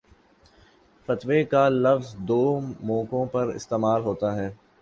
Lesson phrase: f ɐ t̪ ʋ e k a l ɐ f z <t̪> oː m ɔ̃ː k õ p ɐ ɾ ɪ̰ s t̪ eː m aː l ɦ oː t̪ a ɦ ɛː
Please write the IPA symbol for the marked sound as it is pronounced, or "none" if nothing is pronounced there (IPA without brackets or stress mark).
d̪